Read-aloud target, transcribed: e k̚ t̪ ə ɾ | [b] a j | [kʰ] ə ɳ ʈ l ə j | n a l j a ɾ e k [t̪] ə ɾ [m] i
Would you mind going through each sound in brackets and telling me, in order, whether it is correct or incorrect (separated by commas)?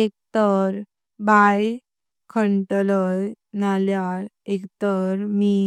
correct, correct, correct, correct